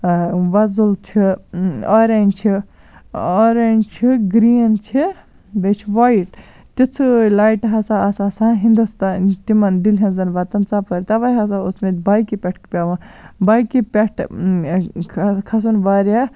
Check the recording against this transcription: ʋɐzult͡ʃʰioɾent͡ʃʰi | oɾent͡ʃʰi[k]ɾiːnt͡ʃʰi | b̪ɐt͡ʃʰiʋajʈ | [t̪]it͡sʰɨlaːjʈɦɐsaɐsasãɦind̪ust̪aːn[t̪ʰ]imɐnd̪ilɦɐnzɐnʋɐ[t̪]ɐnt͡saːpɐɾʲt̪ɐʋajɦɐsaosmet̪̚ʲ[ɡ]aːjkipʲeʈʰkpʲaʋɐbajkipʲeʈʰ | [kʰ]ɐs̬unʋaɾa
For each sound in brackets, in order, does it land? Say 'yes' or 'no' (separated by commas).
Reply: no, yes, no, yes, no, yes